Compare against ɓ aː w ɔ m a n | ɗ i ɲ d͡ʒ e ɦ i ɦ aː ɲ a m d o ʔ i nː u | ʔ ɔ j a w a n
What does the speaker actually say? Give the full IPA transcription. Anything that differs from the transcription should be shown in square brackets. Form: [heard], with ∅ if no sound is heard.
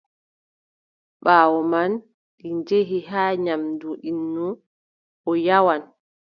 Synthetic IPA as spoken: ɓ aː w ɔ m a n | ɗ i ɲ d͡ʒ e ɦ i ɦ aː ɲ a m d [u] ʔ i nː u | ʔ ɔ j a w a n